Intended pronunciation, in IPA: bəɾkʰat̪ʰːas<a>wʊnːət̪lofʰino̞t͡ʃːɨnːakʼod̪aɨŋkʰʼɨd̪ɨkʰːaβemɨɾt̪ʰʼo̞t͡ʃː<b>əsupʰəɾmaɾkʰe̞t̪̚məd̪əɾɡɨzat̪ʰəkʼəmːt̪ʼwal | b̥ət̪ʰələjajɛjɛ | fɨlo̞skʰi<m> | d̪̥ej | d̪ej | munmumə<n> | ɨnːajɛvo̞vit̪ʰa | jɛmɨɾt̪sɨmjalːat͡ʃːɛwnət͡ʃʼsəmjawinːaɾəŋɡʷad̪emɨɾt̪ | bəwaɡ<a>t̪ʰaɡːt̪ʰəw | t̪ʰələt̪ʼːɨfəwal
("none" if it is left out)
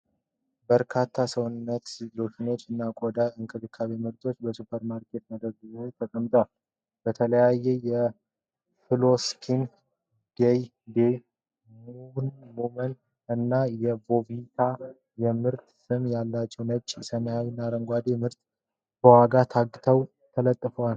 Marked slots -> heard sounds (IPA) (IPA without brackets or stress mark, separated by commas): ə, b, n, n, a